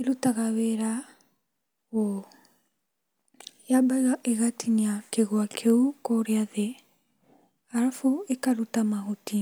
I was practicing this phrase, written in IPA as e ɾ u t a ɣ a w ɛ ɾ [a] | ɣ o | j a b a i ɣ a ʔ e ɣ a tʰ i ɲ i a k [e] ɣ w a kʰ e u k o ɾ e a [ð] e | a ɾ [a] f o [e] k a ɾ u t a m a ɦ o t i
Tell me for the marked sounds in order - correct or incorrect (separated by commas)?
correct, correct, correct, correct, correct